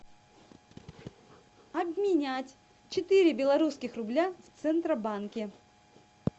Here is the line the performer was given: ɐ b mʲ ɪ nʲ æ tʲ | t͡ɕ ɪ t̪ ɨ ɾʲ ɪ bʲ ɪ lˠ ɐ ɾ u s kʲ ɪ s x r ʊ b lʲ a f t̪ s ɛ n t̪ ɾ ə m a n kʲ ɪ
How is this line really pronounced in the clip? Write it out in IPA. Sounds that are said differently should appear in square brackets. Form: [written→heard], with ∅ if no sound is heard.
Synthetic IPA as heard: ɐ b mʲ ɪ nʲ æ tʲ | t͡ɕ ɪ t̪ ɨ ɾʲ ɪ bʲ ɪ lˠ ɐ ɾ u s kʲ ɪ [s→∅] x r ʊ b lʲ a f t̪ s ɛ n t̪ ɾ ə [m→b] a n kʲ ɪ

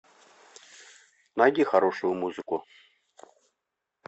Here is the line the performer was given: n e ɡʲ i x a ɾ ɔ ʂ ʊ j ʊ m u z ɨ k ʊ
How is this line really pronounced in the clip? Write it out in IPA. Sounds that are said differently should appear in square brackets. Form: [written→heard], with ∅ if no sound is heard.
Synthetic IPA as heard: n [e→a] ɡʲ i x a ɾ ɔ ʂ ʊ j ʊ m u z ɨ k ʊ

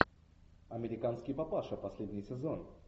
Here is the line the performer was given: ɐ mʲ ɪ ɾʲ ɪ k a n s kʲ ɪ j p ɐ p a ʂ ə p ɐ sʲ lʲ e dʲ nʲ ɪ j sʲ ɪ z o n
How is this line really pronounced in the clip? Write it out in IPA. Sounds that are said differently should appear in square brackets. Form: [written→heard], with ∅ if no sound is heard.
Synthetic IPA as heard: ɐ mʲ ɪ ɾʲ ɪ k a n s kʲ ɪ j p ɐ p a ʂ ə p ɐ sʲ lʲ e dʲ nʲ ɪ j sʲ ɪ z o n

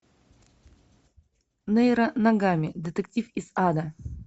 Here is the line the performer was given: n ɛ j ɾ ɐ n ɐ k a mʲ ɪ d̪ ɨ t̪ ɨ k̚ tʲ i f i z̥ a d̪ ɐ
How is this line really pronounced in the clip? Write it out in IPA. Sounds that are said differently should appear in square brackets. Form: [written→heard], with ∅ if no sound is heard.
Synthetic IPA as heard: n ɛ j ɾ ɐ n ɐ [k→ɡ] a mʲ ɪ d̪ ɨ t̪ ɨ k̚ tʲ i f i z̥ a d̪ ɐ

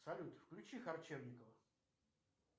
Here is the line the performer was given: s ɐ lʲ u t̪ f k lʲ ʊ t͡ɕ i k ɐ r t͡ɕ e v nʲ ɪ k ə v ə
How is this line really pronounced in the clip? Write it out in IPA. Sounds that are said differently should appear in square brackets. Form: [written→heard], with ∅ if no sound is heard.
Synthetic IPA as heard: s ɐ lʲ u t̪ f k lʲ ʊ t͡ɕ i [k→x] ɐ r t͡ɕ e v nʲ ɪ k ə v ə

